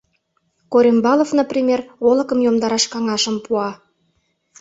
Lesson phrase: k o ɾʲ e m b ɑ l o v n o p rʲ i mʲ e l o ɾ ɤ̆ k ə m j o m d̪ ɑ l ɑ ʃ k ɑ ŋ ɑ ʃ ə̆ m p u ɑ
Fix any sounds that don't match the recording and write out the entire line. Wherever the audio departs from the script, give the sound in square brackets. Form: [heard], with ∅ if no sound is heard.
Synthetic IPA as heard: k o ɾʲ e m b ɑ l o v n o p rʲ i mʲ e [r] o [l] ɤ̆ k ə m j o m d̪ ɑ [ɾ] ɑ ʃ k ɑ ŋ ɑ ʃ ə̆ m p u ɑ